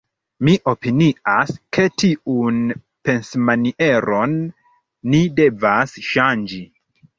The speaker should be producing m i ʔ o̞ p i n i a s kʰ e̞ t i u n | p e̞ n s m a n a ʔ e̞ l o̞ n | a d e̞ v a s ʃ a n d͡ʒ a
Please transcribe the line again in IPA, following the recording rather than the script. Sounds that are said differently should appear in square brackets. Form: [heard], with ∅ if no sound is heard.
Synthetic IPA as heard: m i ʔ o̞ p i n i a s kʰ e̞ t i u n | p e̞ n s m a n [i] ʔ e̞ [ɾ] o̞ [nː] | [i] d e̞ v a s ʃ a n d͡ʒ [i]